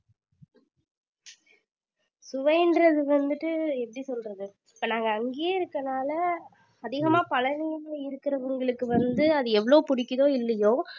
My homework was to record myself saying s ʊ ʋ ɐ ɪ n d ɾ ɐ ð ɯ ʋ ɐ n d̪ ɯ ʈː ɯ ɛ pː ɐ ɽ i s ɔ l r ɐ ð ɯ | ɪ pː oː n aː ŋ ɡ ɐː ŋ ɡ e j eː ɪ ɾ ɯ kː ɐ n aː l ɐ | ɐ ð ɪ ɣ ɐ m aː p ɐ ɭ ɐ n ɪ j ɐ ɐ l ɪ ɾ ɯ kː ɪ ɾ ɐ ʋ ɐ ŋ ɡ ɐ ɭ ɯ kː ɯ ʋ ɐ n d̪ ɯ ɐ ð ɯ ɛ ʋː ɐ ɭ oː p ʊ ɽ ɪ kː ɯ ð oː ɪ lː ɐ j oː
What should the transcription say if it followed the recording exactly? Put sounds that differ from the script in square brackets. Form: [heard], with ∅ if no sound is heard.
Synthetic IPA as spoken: s ʊ ʋ ɐ ɪ n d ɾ ɐ ð ɯ ʋ ɐ n d̪ ɯ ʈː ɯ ɛ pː ɐ ɽ i s ɔ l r ɐ ð ɯ | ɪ pː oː n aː ŋ ɡ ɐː ŋ ɡ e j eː ɪ ɾ ɯ kː ɐ n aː l ɐ | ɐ ð ɪ ɣ ɐ m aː p ɐ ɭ ɐ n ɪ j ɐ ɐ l ɪ ɾ ɯ kː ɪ ɾ ɐ ʋ ɐ ŋ ɡ ɐ ɭ ɯ kː ɯ ʋ ɐ n d̪ ɯ ɐ ð ɯ ɛ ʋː ɐ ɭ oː p ʊ ɽ ɪ kː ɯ ð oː ɪ lː ɐ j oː